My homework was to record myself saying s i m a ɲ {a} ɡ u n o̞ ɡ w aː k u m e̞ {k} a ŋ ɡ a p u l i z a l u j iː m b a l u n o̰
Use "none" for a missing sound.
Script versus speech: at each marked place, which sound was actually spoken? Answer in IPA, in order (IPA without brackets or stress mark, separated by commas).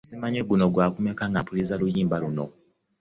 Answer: e, k